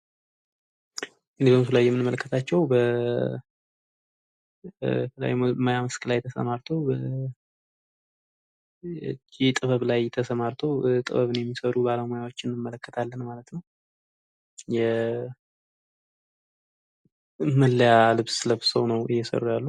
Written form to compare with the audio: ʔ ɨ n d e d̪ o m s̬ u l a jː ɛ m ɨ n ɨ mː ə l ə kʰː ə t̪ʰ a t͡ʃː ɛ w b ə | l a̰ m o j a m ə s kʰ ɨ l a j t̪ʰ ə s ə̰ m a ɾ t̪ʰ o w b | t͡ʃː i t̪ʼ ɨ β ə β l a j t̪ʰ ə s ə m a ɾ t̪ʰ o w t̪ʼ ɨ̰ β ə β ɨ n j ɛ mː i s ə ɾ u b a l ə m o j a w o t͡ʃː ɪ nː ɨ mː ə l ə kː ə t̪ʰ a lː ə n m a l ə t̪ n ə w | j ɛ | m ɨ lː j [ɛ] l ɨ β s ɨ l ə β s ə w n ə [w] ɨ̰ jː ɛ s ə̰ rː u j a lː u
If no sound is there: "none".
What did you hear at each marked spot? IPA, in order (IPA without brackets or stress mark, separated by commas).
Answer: a, w